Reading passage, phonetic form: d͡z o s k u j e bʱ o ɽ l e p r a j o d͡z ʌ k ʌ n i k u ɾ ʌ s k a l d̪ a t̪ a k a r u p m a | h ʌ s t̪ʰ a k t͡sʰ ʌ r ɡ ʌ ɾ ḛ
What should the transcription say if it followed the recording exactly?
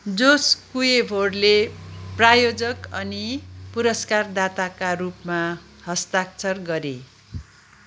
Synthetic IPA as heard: d͡z o s k u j e bʱ o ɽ l e p r a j o d͡z ʌ k ʌ n i p u ɾ ʌ s k a r d̪ a t̪ a k a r u p m a | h ʌ s t̪ a k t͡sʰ ʌ r ɡ ʌ ɾ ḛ